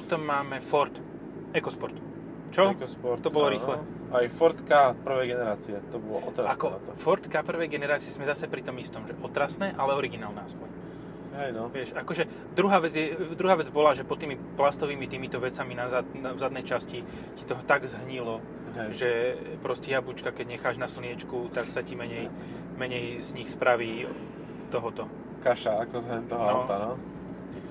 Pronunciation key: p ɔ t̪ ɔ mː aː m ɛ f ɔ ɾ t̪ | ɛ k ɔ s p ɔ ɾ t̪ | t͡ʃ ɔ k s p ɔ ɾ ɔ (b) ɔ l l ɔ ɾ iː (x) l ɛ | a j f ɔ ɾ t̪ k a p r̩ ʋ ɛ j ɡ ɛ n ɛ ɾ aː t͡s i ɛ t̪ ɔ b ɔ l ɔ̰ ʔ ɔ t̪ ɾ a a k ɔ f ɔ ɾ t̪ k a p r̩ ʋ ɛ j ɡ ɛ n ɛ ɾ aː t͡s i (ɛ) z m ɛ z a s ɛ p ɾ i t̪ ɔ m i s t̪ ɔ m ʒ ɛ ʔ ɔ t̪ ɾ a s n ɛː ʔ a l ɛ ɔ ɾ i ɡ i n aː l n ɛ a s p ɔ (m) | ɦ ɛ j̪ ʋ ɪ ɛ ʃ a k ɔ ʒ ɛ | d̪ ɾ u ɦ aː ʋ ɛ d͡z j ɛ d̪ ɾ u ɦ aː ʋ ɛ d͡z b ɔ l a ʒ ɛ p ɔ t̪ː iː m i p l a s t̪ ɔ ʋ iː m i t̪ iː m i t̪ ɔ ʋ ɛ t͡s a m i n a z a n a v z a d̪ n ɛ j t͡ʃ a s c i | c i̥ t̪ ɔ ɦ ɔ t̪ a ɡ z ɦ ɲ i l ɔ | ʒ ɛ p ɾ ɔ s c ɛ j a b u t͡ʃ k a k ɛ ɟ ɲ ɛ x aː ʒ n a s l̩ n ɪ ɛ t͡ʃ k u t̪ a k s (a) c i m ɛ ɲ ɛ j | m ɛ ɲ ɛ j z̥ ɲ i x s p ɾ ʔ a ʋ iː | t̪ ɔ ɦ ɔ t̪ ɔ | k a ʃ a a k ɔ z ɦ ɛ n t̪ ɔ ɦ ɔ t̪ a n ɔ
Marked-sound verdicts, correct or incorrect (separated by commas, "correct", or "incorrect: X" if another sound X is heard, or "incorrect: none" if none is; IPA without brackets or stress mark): correct, correct, correct, incorrect: ɲ, correct